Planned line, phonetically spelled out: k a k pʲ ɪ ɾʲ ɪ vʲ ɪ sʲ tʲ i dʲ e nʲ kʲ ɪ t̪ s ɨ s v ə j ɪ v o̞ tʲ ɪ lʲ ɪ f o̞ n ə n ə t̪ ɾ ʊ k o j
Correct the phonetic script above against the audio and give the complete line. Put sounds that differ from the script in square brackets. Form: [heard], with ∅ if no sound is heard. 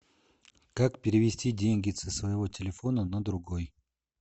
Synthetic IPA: k a k pʲ ɪ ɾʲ ɪ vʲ ɪ sʲ tʲ i dʲ e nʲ [ɡʲ] ɪ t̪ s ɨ s v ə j ɪ v o̞ tʲ ɪ lʲ ɪ f o̞ n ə n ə [d̪] ɾ ʊ [ɡ] o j